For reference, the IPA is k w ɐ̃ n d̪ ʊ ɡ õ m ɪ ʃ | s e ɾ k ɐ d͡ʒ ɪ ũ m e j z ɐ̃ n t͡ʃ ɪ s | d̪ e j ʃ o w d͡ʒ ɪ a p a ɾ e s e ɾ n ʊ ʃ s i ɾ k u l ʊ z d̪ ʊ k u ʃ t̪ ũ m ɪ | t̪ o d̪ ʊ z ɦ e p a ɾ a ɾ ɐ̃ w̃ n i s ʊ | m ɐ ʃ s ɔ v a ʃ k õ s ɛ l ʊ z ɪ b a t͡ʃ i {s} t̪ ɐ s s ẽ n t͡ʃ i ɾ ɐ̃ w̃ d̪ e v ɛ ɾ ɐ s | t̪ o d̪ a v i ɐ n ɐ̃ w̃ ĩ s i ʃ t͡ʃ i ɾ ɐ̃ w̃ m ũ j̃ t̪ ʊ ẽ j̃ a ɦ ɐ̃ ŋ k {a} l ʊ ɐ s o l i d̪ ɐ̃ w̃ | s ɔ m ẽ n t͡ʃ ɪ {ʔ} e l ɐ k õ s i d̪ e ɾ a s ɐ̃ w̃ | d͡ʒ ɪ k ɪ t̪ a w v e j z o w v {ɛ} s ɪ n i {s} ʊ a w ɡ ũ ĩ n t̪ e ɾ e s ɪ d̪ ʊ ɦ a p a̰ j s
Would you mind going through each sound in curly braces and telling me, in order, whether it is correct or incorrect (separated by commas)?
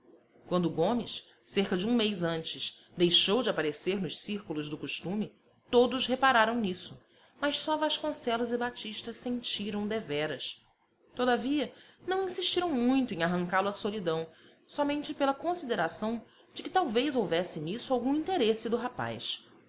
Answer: incorrect, correct, incorrect, correct, correct